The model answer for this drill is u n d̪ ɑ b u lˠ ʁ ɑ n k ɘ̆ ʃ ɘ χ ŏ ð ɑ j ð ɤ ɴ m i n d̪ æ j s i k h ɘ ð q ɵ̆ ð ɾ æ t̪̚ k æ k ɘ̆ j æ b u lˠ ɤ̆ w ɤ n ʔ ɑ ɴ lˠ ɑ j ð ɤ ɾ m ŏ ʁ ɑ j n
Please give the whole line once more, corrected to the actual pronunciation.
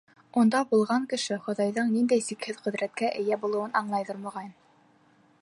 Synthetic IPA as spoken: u n d̪ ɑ b u lˠ ʁ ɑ ŋ k ɘ̆ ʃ ɘ χ ŏ ð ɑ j ð ɤ ɴ n i n d̪ æ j s i k h ɘ ð q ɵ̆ ð ɾ æ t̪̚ k æ ʔ ɘ̆ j æ b u lˠ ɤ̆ w ɤ n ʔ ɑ ɴ lˠ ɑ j ð ɤ ɾ m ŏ ʁ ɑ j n